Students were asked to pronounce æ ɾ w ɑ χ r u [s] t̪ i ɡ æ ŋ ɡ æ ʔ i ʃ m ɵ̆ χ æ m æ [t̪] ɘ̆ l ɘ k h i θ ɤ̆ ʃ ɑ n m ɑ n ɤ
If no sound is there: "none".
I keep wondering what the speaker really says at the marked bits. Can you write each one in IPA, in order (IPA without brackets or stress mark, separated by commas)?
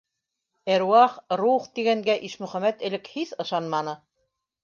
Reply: χ, t̪